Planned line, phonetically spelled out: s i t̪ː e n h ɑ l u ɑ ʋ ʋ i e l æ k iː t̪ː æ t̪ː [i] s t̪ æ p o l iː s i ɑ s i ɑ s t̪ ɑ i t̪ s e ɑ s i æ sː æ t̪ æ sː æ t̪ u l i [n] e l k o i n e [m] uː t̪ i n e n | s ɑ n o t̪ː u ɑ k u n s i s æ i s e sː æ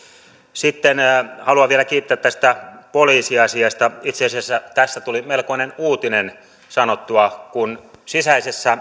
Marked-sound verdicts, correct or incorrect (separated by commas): incorrect, incorrect, incorrect